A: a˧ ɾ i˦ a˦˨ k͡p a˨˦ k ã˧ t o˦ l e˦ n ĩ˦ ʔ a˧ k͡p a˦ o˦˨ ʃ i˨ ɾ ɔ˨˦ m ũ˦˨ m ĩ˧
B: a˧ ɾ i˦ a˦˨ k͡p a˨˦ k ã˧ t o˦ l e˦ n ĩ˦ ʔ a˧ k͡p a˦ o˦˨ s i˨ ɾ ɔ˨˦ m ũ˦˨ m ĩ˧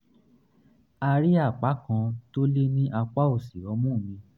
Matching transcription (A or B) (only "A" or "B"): B